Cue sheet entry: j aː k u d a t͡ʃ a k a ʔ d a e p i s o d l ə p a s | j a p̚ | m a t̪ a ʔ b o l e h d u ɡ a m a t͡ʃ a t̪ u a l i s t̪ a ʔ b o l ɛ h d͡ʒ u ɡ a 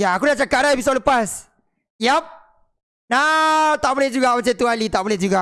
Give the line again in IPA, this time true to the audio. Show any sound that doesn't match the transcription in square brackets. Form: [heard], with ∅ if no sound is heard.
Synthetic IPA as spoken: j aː k u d a t͡ʃ a k a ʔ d a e p i s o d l ə p a s | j a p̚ | [n] a t̪ a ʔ b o l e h [d͡ʒ] u ɡ a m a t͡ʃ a t̪ u a l i [∅] t̪ a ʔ b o l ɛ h d͡ʒ u ɡ a